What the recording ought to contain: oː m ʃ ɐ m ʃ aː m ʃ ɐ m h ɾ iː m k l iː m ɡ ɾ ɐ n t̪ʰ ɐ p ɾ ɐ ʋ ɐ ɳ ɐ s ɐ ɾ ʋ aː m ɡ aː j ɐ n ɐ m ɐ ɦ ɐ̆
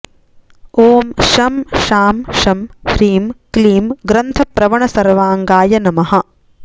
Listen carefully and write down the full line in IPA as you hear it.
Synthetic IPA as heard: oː m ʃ ɐ m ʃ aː m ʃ ɐ m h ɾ iː m k l iː m ɡ ɾ ɐ n t̪ʰ ɐ p ɾ ɐ ʋ ɐ ɳ ɐ s ɐ ɾ ʋ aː ŋ ɡ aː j ɐ n ɐ m ɐ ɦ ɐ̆

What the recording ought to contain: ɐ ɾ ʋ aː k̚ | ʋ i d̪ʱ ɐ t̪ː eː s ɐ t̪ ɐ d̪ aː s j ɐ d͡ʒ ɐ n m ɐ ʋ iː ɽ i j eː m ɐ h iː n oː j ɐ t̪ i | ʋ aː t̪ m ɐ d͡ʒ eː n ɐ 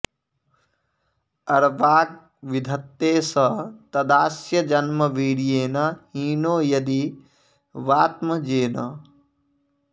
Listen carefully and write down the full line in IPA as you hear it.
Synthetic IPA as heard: ɐ ɾ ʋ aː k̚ | ʋ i d̪ʱ ɐ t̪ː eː s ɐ t̪ ɐ d̪ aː s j ɐ d͡ʒ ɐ n m ɐ ʋ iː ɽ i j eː n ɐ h iː n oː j ɐ d̪ i | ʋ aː t̪ m ɐ d͡ʒ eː n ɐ

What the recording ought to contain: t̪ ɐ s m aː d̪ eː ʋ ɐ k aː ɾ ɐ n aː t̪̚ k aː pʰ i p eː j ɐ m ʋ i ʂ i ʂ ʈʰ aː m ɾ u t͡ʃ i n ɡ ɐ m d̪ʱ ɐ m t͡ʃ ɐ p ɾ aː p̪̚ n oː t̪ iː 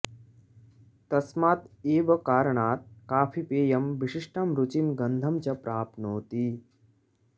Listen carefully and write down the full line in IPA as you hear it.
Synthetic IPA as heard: t̪ ɐ s m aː t̪ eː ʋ ɐ k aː ɾ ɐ ɳ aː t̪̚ k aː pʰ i p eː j ɐ m ʋ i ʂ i ʂ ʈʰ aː m ɾ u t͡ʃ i n ɡ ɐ n d̪ʱ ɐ m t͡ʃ ɐ p ɾ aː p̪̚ n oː t̪ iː

